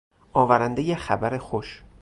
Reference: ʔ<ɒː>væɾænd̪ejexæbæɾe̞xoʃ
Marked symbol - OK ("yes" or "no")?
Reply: yes